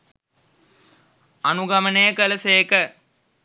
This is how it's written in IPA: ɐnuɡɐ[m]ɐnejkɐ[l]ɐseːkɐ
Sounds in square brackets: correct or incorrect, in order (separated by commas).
correct, correct